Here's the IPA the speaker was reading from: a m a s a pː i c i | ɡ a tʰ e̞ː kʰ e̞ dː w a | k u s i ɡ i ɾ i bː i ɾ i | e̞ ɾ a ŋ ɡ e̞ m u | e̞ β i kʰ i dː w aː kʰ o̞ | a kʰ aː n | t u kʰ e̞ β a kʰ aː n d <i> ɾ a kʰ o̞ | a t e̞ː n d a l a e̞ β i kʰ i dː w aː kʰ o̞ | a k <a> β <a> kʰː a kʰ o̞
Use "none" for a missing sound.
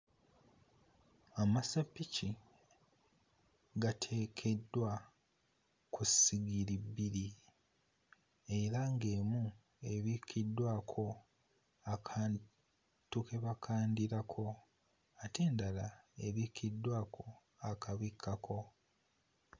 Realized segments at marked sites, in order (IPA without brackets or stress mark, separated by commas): i, a, i